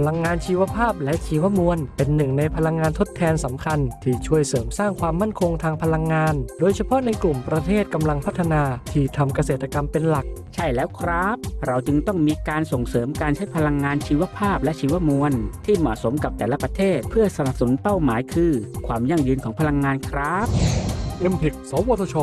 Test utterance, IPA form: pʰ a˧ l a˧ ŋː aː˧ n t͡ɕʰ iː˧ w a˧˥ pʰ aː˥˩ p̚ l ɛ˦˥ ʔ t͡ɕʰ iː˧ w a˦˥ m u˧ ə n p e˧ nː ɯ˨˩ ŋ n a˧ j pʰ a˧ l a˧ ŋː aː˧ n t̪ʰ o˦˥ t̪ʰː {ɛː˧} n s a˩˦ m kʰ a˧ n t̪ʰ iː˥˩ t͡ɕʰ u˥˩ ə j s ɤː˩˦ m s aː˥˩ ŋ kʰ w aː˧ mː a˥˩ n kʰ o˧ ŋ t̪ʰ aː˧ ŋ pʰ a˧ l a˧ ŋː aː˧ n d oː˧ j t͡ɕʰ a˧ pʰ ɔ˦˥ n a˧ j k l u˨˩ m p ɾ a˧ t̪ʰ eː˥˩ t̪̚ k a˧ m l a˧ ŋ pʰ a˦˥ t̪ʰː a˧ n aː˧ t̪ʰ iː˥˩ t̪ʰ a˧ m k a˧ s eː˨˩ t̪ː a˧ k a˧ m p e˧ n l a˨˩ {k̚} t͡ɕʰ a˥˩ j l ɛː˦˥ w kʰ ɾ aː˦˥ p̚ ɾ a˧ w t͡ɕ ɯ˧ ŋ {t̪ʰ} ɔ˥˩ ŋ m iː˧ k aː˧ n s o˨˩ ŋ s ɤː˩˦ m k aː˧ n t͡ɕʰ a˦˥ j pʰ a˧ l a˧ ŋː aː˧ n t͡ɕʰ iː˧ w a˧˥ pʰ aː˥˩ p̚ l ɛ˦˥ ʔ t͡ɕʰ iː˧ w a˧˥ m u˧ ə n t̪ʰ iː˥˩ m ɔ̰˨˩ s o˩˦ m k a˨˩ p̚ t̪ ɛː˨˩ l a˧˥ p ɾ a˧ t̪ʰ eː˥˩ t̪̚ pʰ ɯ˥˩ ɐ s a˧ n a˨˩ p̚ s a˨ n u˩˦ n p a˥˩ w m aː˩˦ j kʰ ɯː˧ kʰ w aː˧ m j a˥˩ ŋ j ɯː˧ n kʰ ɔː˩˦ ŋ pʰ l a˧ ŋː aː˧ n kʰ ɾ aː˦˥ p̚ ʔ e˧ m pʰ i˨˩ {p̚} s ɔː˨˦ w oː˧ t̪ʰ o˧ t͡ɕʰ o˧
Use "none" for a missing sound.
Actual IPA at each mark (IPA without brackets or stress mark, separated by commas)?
ɛː˧, k̚, t̪, k̚